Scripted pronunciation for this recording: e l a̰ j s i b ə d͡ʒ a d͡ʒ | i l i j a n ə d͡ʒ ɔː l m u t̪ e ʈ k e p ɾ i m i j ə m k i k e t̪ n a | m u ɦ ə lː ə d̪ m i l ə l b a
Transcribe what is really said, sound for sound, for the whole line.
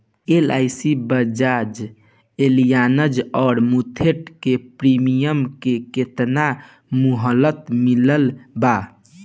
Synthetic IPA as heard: e l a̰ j s i b ə d͡ʒ a d͡ʒ | e l i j a n ə d͡ʒ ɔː ɾ m u t̪ʰ e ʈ k e p ɾ i m i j ə m k e k e t̪ n a | m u ɦ ə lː ə t̪ m i l ə l b a